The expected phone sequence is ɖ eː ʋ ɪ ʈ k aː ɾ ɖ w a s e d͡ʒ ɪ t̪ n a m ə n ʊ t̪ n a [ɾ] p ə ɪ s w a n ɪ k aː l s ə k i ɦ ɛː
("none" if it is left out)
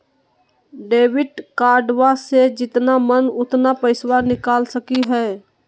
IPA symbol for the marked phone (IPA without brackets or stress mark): none